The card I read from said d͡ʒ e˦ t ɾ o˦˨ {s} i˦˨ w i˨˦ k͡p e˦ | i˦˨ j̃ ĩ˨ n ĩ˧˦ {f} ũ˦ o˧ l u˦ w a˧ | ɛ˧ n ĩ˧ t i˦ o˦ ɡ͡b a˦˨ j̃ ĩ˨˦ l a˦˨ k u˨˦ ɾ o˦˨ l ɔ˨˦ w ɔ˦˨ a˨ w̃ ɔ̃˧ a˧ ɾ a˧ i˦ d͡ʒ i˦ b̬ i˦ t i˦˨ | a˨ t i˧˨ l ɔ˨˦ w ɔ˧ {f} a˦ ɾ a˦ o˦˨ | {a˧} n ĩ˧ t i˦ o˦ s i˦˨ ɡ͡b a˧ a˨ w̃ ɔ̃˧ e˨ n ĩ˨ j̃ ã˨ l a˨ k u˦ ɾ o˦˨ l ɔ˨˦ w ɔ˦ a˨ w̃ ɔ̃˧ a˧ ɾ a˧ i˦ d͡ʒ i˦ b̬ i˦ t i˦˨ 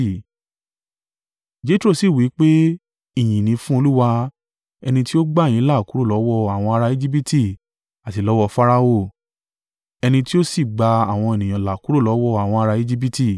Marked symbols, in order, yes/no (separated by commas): yes, yes, yes, no